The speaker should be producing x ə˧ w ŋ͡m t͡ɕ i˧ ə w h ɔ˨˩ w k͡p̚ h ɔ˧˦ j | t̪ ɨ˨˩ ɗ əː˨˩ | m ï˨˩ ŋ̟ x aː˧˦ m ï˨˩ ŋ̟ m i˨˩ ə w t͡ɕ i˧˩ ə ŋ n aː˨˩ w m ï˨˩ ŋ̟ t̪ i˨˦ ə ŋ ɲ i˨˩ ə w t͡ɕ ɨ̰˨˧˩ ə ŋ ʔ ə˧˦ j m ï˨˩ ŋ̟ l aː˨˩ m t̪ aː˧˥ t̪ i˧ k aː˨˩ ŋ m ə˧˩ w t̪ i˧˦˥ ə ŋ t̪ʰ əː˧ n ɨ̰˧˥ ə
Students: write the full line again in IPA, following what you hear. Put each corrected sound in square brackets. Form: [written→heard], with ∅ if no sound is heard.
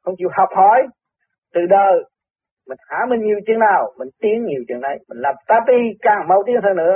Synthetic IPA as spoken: x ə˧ w ŋ͡m t͡ɕ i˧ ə w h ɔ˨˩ w k͡p̚ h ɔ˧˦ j | t̪ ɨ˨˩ ɗ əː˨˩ | m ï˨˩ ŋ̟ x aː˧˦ m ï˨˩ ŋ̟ [m→ɲ] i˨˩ ə w t͡ɕ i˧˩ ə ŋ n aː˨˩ w m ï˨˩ ŋ̟ t̪ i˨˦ ə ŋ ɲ i˨˩ ə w t͡ɕ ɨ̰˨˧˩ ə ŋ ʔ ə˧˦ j m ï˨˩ ŋ̟ l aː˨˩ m t̪ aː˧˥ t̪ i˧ k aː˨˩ ŋ m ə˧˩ w t̪ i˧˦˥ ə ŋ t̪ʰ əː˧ n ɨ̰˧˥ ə